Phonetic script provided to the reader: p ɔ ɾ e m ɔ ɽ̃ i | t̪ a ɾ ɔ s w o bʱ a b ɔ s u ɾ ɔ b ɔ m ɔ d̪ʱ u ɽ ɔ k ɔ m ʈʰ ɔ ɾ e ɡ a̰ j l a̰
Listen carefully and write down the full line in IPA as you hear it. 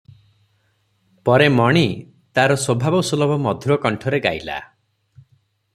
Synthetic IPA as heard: p ɔ ɾ e m ɔ ɽ̃ i | t̪ a ɾ ɔ s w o bʱ a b ɔ s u l ɔ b ɔ m ɔ d̪ʱ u ɾ ɔ k ɔ ɳ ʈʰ ɔ ɾ e ɡ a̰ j l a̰